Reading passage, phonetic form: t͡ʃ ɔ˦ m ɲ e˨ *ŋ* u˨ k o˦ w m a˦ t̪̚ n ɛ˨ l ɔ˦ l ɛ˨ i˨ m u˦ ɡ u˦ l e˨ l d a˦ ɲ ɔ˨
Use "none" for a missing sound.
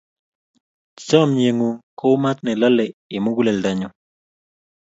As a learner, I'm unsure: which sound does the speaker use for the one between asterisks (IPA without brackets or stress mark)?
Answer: ŋ